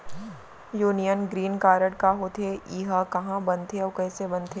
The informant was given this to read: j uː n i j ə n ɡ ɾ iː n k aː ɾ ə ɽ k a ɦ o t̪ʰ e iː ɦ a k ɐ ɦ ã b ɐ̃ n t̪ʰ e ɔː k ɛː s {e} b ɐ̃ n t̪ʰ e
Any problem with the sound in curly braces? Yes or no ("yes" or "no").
no